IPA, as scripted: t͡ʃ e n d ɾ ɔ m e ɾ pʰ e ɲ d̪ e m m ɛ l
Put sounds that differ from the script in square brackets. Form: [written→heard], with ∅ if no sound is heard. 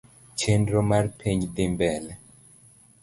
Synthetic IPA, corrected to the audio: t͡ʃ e n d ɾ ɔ m [e→a] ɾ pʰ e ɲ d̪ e m [m→b] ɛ l